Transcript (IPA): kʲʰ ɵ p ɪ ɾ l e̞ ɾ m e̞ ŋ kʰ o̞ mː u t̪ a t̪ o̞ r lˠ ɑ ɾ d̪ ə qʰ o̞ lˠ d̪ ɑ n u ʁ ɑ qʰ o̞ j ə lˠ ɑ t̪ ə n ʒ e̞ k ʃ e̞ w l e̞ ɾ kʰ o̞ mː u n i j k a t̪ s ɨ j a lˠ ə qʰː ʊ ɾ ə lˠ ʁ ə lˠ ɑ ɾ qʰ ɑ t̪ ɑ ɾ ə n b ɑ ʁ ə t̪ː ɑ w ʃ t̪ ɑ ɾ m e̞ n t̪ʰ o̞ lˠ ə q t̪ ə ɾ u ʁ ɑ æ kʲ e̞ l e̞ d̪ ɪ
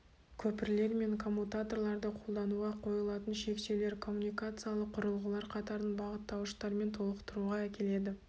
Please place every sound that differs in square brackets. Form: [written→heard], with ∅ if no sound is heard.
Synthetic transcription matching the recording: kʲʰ ɵ p ɪ ɾ l e̞ ɾ m e̞ ŋ kʰ o̞ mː u t̪ a t̪ o̞ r lˠ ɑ ɾ d̪ ə qʰ o̞ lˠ d̪ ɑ n u ʁ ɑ qʰ o̞ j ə lˠ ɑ t̪ ə n [ʒ→ʃ] e̞ k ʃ e̞ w l e̞ ɾ kʰ o̞ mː u n i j k a t̪ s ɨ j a lˠ ə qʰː ʊ ɾ ə lˠ ʁ ə lˠ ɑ ɾ qʰ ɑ t̪ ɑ ɾ ə n b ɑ ʁ ə t̪ː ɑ w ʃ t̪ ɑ ɾ m e̞ n t̪ʰ o̞ lˠ ə q t̪ ə ɾ u ʁ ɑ æ kʲ e̞ l e̞ d̪ ɪ